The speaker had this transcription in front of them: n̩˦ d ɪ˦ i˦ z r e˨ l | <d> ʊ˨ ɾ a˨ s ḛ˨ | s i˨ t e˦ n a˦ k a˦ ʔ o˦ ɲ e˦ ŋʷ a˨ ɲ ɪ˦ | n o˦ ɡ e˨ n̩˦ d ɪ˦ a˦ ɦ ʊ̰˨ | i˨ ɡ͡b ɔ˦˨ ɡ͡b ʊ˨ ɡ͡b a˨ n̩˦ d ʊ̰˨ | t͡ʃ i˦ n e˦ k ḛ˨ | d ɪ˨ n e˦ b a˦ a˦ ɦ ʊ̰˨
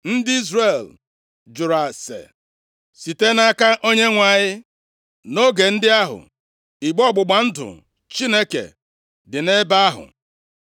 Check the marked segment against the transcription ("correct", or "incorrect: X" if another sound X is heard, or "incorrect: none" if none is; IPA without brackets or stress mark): incorrect: d͡ʒ